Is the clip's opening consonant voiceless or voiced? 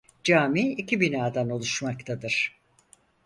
voiced